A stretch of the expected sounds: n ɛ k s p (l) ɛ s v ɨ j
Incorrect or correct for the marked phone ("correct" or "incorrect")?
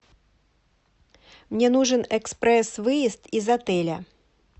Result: incorrect